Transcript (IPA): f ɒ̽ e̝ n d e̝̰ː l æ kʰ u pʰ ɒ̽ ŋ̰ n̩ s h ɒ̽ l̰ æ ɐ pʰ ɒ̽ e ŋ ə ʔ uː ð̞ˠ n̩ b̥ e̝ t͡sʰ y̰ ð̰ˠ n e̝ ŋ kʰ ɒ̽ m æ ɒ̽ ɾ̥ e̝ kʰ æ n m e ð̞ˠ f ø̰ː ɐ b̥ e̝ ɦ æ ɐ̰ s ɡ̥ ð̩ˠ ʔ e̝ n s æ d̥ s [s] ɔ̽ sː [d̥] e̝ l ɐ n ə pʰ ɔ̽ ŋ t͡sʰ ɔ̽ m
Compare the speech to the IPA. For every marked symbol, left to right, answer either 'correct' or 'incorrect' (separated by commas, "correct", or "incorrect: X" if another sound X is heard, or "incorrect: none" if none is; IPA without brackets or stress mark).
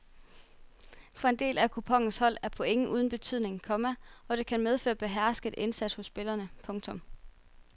incorrect: h, incorrect: b̥